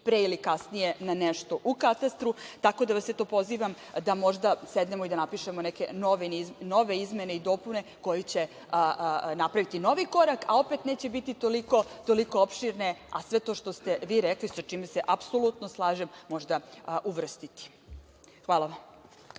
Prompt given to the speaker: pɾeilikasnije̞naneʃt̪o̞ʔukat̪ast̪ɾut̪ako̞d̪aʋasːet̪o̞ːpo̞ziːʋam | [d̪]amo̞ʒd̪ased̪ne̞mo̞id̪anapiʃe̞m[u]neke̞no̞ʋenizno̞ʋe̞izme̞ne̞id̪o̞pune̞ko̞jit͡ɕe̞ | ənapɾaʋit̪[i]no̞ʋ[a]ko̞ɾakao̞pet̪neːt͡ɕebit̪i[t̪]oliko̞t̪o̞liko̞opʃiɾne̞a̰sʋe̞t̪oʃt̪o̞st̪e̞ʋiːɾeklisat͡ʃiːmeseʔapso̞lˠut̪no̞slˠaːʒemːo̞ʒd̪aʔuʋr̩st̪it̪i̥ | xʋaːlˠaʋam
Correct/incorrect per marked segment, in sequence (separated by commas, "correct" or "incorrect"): correct, incorrect, correct, incorrect, correct